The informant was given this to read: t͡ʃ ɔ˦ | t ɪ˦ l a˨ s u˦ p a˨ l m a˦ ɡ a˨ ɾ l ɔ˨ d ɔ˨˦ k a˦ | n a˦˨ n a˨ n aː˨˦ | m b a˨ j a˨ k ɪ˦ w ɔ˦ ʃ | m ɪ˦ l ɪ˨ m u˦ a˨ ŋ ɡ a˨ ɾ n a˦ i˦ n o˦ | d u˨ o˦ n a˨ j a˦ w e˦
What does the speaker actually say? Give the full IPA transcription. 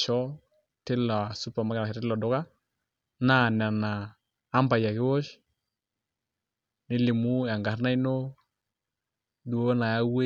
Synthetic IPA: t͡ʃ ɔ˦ | t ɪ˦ l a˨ s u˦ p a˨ m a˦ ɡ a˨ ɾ l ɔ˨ d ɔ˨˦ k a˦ | n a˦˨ n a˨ n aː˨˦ | m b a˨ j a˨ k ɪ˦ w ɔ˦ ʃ | n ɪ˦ l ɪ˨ m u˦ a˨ ŋ ɡ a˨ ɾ n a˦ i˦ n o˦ | d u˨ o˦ n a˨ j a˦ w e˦